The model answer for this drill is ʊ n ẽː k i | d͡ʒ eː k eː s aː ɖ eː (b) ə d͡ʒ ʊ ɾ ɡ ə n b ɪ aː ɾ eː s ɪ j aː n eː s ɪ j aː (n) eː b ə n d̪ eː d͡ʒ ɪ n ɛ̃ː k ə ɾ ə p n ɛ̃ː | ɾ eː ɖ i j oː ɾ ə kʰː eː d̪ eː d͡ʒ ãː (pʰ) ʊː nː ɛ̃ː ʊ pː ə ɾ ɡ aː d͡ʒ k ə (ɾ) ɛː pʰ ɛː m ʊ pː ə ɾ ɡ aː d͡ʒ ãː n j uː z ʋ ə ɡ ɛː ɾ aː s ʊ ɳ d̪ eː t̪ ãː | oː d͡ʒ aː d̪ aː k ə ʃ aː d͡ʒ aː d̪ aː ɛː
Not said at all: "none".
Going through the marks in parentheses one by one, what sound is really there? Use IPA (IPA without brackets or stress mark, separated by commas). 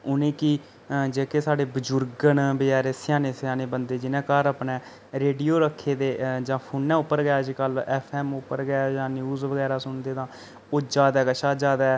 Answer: b, n, pʰ, l